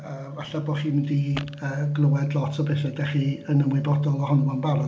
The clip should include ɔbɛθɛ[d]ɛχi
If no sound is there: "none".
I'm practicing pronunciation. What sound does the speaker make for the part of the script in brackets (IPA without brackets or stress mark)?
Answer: d